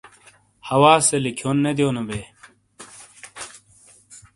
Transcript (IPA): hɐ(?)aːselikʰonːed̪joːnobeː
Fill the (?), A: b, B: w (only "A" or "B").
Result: B